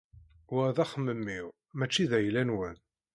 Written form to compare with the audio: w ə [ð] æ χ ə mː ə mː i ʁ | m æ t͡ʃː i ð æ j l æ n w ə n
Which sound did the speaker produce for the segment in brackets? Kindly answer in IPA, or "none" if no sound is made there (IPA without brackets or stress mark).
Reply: ð